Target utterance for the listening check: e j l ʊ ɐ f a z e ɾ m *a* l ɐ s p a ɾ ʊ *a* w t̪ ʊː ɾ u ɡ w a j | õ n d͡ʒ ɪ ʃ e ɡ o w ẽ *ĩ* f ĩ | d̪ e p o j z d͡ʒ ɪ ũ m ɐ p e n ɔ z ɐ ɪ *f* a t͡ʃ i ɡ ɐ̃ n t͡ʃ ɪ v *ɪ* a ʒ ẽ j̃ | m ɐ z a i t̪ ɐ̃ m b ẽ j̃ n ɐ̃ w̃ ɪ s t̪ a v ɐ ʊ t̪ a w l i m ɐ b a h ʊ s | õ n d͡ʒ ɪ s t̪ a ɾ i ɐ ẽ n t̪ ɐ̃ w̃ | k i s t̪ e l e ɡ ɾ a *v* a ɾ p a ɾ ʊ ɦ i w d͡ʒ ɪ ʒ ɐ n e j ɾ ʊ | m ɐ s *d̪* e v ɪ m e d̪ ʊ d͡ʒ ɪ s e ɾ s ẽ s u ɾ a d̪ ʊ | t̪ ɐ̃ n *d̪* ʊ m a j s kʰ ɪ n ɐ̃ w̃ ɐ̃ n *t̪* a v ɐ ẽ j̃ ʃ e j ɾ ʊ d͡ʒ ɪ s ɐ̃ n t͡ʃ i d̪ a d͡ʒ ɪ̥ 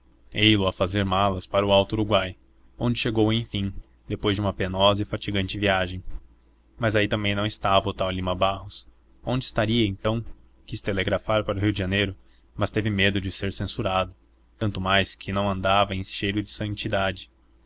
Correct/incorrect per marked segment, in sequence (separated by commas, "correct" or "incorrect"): correct, correct, incorrect, correct, incorrect, incorrect, incorrect, incorrect, incorrect